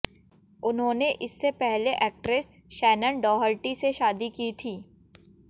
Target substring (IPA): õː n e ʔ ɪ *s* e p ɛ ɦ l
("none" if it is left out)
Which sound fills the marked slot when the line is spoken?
sː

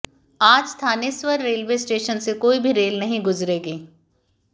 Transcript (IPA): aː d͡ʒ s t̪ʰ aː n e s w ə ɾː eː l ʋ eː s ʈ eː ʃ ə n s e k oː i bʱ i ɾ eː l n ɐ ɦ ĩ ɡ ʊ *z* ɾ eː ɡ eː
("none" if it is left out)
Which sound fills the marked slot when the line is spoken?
z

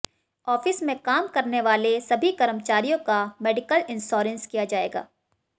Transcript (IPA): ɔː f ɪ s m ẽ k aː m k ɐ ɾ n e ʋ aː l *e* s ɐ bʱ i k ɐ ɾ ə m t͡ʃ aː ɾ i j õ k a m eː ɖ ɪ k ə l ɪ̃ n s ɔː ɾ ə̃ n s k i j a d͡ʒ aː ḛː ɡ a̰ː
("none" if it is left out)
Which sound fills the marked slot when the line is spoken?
e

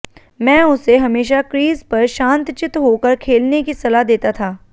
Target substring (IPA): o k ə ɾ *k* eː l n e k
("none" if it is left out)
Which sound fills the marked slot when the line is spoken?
kʰ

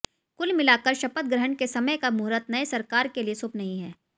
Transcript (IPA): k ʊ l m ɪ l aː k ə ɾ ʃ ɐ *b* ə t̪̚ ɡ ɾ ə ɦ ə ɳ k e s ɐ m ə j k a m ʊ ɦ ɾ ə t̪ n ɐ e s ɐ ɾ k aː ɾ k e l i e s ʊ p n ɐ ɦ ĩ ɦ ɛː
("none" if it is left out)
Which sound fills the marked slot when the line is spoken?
p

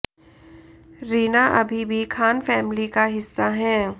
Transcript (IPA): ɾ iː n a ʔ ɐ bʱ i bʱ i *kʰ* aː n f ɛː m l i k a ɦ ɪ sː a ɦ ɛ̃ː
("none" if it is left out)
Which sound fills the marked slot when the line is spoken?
kʰ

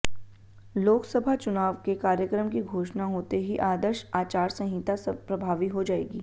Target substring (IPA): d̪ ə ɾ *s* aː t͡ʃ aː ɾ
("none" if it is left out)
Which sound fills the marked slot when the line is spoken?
ʃ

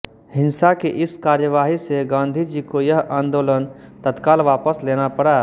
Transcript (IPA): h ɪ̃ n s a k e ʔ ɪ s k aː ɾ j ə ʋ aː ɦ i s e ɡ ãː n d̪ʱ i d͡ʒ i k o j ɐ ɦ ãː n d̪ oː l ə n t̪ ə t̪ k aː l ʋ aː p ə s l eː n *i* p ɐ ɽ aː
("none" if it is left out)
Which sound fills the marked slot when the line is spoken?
a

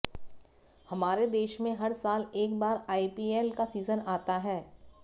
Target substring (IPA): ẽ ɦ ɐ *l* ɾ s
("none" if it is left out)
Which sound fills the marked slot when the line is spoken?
none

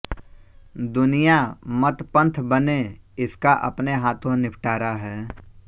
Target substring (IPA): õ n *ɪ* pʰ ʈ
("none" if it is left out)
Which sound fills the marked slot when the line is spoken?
ɪ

